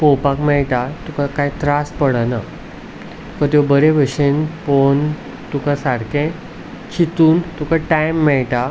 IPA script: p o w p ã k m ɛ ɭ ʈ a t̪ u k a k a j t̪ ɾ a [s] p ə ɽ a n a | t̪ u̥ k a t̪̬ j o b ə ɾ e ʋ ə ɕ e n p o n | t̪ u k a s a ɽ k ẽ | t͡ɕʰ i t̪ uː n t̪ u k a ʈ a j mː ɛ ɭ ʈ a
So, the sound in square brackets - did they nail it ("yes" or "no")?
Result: yes